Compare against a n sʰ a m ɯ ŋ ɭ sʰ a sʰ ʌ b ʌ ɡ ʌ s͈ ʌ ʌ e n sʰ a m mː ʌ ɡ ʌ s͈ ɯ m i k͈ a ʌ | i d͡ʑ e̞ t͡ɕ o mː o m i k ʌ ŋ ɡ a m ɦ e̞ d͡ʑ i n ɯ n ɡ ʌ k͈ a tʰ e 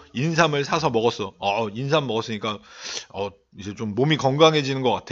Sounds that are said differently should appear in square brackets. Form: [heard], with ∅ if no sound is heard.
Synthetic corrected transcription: [i] n sʰ a m ɯ [∅] ɭ sʰ a sʰ ʌ [m] ʌ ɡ ʌ s͈ ʌ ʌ [i] n sʰ a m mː ʌ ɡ ʌ s͈ ɯ [ɲ] i k͈ a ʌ | i d͡ʑ e̞ t͡ɕ o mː o m i k ʌ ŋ ɡ a [ŋ] ɦ e̞ d͡ʑ i n ɯ n ɡ ʌ k͈ a tʰ e